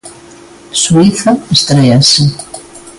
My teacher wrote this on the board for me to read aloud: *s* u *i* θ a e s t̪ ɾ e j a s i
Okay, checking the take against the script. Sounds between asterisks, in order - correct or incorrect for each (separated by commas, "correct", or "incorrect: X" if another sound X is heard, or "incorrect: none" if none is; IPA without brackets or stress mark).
correct, correct